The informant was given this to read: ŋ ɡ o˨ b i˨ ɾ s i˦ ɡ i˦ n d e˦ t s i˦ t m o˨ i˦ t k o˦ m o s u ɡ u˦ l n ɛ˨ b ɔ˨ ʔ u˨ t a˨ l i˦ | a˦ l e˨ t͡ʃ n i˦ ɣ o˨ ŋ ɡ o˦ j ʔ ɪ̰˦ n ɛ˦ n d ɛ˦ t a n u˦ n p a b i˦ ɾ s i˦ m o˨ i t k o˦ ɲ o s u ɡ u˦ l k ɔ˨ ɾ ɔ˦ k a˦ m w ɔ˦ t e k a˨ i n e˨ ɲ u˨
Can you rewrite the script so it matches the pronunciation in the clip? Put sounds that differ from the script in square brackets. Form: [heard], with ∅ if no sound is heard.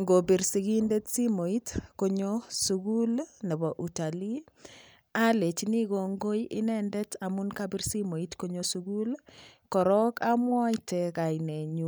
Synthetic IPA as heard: ŋ ɡ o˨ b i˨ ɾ s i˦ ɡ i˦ n d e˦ t s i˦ [∅] m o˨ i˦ t k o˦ [ɲ] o s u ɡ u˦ l n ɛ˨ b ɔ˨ ʔ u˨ t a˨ l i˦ | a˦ l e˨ t͡ʃ n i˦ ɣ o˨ ŋ ɡ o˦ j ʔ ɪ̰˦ n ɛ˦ n d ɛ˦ t a [m] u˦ n [k] a b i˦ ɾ s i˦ m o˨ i t k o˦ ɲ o s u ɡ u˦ l k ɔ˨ ɾ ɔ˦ k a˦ m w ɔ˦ t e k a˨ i n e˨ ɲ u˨